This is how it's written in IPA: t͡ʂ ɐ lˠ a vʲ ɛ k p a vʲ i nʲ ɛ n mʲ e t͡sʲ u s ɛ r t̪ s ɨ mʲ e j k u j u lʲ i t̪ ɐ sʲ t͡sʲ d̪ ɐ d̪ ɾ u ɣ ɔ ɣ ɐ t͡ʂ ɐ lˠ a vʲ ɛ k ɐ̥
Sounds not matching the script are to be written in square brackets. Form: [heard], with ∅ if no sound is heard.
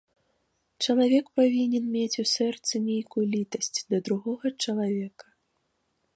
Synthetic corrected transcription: t͡ʂ ɐ lˠ a vʲ ɛ k p a vʲ i nʲ ɛ n mʲ e t͡sʲ u s ɛ r t̪ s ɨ mʲ e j k u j u lʲ i t̪ ɐ sʲ t͡sʲ d̪ ɐ d̪ ɾ u ɣ ɔ ɣ ɐ t͡ʂ ɐ lˠ a vʲ ɛ k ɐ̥